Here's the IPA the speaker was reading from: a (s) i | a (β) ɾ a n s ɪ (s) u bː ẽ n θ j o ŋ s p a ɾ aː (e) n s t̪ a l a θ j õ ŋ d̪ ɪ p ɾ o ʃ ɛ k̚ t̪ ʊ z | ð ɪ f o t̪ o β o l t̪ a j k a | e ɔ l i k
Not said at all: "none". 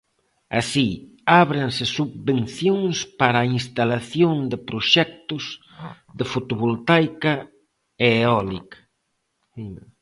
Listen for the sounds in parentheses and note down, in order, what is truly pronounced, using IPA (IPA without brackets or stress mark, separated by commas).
s, β, s, i